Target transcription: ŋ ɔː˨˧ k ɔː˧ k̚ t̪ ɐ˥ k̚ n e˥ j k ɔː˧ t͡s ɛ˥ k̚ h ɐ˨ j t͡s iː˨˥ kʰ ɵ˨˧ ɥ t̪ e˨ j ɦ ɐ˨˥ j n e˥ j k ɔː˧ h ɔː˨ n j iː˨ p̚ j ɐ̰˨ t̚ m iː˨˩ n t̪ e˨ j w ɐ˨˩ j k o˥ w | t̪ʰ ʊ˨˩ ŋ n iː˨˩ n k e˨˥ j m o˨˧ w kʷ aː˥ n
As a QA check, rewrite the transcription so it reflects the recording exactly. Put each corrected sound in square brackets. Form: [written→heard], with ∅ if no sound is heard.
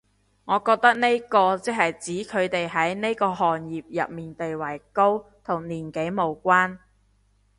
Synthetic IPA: ŋ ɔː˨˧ k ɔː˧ k̚ t̪ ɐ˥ k̚ n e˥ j k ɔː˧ t͡s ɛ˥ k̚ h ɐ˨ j t͡s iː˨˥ kʰ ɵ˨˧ ɥ t̪ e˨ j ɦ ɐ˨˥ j n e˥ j k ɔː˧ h ɔː˨ n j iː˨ p̚ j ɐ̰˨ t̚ m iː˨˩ n t̪ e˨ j w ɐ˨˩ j k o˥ w | t̪ʰ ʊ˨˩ ŋ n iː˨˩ n k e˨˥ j m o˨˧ w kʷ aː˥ n